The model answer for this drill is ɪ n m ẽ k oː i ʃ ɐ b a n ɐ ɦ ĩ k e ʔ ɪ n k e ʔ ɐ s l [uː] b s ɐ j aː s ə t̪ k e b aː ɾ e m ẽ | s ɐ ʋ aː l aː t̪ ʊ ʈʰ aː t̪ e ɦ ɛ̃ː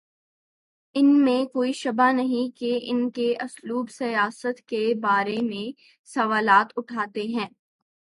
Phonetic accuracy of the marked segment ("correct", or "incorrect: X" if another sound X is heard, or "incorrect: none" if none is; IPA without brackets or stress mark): correct